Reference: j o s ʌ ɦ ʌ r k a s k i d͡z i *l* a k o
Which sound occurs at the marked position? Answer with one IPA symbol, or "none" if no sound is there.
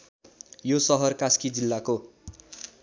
lː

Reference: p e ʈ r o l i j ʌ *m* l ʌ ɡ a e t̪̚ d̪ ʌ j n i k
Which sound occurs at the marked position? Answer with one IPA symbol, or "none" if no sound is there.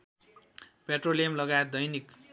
m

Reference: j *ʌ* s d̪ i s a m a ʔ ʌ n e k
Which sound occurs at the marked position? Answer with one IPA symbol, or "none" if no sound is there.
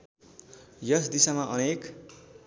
ʌ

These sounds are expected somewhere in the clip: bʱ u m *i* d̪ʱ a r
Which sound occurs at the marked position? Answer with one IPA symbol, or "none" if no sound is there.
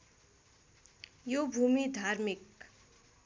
i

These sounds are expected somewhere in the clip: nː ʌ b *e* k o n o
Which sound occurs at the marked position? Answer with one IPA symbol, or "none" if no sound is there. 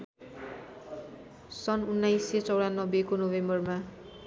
e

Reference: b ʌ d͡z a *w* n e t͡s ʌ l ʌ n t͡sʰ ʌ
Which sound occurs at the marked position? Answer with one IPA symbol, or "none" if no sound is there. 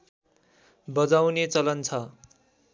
w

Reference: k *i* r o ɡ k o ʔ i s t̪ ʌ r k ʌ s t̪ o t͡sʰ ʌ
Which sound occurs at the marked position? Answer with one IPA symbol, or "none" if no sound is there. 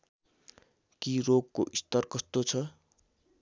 i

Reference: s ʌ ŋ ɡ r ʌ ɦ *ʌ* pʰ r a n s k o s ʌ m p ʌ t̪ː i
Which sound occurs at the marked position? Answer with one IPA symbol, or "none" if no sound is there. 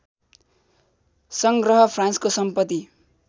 ʌ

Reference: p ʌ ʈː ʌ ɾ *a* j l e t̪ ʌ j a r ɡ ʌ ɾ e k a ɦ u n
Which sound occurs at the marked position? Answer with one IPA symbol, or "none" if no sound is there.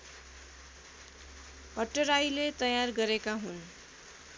a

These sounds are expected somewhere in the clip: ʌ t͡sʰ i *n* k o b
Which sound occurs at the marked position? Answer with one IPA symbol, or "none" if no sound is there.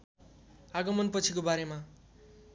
none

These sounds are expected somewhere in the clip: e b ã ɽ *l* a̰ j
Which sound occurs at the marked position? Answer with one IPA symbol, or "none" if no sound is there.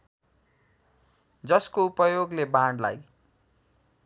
l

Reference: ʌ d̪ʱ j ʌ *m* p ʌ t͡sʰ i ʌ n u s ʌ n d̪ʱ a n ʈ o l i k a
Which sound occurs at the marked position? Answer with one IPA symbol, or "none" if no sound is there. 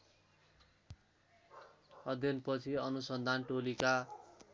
n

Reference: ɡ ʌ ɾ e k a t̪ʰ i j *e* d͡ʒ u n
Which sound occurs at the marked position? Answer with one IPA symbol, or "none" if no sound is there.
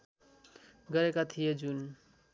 e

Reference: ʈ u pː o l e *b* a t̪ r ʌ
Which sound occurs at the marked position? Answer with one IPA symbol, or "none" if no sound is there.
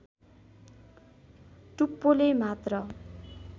m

